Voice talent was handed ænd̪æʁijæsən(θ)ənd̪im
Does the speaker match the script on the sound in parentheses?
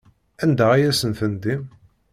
yes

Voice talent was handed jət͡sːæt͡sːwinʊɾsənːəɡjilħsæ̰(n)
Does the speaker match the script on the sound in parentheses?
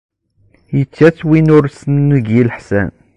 yes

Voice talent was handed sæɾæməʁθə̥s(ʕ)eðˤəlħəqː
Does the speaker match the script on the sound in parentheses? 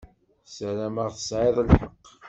yes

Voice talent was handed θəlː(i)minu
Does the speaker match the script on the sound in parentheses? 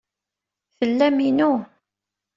no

